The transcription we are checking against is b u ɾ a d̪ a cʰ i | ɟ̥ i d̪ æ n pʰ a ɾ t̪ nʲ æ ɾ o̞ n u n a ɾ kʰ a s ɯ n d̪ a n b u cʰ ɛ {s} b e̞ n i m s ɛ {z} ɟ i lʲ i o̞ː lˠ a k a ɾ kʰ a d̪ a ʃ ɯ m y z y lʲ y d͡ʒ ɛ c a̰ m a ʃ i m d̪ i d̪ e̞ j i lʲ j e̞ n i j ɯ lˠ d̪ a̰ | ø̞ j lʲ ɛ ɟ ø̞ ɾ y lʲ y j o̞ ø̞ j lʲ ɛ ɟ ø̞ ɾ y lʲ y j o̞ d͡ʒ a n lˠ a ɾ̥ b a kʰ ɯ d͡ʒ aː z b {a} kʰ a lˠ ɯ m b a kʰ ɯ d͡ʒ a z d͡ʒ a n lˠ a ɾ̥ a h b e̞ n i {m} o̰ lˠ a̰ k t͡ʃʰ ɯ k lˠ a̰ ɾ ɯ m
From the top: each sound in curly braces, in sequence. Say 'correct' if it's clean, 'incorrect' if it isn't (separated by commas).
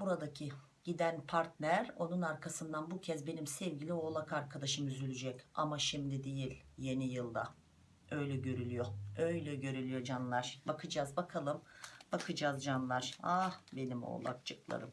incorrect, incorrect, correct, correct